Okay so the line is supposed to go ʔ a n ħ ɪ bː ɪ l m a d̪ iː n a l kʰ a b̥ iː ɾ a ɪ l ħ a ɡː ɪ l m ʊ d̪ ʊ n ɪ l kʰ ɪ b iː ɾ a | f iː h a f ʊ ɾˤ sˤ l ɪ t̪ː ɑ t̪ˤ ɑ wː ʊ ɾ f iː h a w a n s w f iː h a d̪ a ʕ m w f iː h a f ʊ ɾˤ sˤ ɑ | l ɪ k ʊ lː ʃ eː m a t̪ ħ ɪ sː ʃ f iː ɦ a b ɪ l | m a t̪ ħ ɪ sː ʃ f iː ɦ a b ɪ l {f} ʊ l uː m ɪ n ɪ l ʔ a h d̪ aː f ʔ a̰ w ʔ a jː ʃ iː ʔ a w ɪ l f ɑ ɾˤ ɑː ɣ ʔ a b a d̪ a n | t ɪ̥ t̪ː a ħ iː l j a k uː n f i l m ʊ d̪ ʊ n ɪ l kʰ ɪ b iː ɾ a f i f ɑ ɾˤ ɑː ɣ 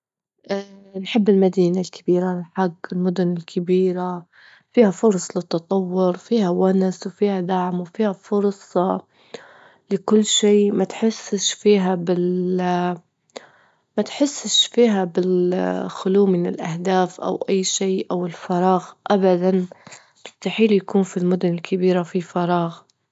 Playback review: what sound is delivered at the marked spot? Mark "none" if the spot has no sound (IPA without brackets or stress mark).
x